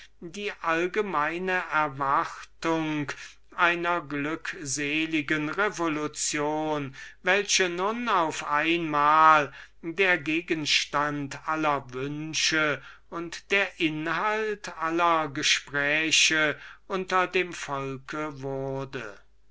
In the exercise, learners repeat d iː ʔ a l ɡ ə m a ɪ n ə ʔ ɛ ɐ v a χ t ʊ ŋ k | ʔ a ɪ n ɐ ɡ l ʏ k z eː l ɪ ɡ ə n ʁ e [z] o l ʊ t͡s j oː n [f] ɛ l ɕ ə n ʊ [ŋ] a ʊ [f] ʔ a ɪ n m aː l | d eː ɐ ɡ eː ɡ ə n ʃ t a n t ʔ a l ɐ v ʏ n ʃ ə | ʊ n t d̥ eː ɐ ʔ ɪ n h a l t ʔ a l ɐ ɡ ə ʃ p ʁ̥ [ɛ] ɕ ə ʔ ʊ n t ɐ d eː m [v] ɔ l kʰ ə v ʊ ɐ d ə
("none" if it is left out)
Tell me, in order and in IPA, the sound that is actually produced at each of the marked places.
v, v, n, f, ɛː, f

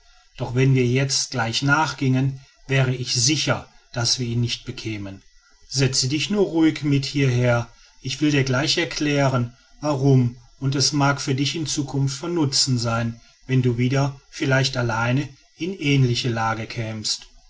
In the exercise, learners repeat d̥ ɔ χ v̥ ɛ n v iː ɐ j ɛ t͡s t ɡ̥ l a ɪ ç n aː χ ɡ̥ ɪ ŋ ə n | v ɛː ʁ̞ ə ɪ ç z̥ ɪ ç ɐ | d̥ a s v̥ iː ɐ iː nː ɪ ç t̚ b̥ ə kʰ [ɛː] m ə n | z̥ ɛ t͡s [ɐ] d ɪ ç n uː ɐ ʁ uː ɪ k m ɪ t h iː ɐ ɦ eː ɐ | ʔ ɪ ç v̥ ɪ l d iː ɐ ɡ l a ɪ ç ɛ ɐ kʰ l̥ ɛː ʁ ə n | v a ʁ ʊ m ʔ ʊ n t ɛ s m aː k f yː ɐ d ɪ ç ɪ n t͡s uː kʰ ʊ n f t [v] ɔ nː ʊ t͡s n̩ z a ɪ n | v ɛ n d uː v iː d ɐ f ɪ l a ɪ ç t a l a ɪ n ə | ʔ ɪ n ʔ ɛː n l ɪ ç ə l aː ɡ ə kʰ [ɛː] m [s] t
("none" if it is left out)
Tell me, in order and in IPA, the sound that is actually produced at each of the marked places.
ɛː, ə, f, ɛː, s

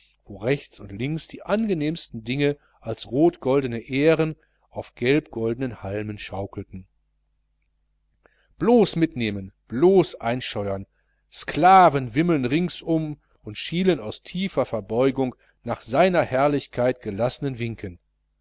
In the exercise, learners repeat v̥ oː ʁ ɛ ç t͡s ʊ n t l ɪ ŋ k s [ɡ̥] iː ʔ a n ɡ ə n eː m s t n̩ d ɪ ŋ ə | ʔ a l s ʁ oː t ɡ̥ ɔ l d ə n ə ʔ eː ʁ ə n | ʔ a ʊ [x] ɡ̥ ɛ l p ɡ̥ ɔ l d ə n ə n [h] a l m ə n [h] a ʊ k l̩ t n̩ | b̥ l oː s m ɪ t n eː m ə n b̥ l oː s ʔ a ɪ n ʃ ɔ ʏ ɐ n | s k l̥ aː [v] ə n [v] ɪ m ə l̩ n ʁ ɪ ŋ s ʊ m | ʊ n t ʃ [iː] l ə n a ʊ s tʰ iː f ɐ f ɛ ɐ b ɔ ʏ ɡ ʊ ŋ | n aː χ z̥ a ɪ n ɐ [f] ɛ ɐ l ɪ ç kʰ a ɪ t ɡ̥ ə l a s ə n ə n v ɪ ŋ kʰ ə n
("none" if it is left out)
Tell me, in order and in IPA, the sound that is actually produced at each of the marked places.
d̥, f, h, ʃ, v, v, iː, h

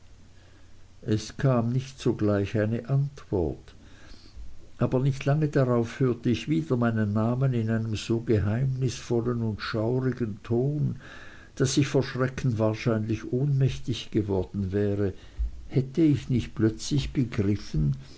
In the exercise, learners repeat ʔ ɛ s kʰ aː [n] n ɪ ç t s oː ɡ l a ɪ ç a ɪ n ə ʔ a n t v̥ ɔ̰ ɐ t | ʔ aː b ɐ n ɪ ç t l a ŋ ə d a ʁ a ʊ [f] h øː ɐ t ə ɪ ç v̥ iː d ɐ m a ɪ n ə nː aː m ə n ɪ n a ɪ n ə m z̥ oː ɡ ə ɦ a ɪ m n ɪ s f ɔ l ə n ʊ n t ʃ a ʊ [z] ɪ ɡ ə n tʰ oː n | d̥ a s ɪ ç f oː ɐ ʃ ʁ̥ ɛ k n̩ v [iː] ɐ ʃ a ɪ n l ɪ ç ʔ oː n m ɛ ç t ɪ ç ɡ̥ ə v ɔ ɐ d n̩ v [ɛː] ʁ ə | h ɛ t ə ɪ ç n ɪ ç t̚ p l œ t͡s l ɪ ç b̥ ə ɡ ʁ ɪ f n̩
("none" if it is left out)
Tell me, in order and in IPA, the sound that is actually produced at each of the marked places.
m, f, ʁ, aː, ɛː

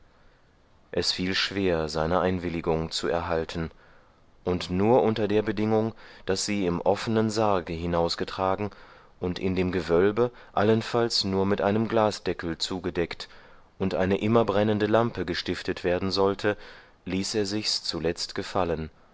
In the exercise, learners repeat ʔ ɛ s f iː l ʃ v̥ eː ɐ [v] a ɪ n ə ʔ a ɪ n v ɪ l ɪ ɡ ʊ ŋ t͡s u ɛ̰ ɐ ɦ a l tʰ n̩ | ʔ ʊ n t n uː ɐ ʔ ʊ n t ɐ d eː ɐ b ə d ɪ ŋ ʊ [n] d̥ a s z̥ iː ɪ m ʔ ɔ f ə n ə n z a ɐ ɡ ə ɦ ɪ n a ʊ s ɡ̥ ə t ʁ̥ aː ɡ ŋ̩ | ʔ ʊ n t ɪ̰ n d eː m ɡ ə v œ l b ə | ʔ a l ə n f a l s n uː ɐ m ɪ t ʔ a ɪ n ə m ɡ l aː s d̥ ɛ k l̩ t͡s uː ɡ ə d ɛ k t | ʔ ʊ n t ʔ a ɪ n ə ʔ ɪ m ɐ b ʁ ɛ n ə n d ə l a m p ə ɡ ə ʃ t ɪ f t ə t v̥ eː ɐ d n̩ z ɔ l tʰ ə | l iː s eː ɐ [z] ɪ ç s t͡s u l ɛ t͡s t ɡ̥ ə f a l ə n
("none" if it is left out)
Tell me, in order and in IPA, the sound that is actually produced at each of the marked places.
z, ŋ, z

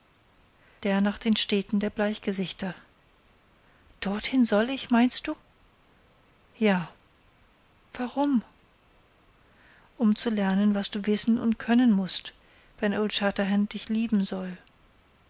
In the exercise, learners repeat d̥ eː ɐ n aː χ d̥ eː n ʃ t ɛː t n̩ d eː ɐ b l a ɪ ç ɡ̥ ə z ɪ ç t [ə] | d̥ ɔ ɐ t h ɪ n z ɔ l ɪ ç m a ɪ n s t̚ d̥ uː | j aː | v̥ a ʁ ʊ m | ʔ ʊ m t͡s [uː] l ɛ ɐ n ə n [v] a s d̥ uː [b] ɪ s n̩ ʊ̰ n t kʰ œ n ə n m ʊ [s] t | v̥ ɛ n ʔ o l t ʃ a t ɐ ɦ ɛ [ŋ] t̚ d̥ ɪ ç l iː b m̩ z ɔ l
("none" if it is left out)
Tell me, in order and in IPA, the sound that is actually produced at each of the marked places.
ɐ, u, v, v, s, n

